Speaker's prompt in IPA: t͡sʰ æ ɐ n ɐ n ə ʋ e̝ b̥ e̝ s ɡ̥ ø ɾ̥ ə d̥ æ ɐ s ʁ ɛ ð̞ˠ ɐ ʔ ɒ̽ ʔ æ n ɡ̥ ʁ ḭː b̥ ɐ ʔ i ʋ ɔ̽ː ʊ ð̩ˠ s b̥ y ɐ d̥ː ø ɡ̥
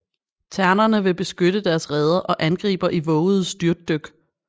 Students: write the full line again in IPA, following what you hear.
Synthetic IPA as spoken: t͡sʰ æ ɐ n ɐ n ə ʋ e̝ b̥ e̝ s ɡ̥ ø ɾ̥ ə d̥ æ ɐ s ʁ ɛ ð̞ˠ ɐ ʔ ɒ̽ ʔ æ n ɡ̥ ʁ ḭː b̥ ɐ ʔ i ʋ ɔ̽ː ʊ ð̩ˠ s d̥ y ɐ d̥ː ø ɡ̥